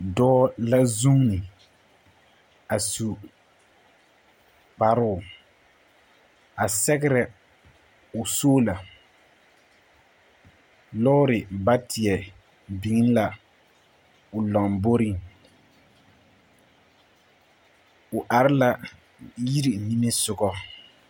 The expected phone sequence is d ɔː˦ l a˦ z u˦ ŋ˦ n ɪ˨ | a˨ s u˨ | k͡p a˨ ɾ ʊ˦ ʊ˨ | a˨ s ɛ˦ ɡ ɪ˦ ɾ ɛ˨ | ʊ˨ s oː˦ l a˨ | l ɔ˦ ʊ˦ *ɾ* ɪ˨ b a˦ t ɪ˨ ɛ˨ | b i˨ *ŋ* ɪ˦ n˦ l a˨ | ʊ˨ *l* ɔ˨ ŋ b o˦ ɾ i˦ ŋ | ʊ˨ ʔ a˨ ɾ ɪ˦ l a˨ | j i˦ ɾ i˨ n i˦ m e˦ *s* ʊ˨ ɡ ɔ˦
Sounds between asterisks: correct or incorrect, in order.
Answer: correct, correct, correct, correct

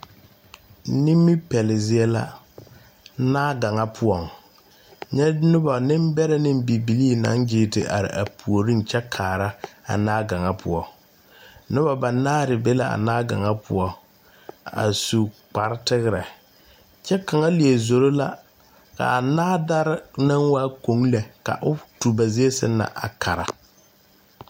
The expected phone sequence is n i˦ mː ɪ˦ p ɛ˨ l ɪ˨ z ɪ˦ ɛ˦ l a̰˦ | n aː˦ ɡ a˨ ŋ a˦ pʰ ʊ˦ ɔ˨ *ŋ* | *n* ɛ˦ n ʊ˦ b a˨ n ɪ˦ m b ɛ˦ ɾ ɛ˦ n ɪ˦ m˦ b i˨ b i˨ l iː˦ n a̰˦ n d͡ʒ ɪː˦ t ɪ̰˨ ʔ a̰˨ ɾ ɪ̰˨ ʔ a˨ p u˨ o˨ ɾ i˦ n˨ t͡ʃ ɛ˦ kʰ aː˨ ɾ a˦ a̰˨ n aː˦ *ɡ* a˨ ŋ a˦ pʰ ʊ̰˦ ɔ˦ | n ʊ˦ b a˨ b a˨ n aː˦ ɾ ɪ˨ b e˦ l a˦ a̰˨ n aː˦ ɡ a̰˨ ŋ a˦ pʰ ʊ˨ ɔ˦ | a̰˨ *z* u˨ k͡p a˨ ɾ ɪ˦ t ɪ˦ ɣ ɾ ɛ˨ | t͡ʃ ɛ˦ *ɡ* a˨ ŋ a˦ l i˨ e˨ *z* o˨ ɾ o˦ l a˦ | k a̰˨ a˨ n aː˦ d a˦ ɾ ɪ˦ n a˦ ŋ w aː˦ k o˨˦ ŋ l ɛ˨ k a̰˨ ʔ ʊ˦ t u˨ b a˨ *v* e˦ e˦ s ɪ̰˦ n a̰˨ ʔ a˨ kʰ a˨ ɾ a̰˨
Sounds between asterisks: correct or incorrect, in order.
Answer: correct, incorrect, correct, incorrect, incorrect, correct, incorrect

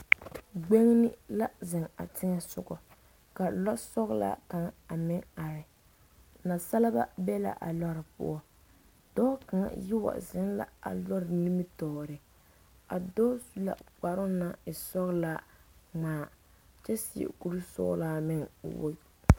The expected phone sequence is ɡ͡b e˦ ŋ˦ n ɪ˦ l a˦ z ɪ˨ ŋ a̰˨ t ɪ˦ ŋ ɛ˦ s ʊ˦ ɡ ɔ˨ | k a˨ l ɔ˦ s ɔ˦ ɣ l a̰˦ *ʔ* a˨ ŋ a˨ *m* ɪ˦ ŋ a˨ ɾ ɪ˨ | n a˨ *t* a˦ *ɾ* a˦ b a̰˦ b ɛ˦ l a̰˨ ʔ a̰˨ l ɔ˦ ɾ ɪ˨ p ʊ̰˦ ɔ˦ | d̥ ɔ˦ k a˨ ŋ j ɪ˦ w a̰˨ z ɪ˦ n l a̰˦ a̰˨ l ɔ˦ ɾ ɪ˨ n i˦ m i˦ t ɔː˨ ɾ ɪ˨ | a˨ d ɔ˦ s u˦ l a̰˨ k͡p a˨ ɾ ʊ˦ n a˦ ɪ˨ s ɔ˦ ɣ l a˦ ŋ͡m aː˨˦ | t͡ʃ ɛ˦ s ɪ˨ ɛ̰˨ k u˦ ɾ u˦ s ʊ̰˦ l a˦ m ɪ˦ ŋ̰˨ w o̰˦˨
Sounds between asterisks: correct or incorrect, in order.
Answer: incorrect, correct, incorrect, incorrect

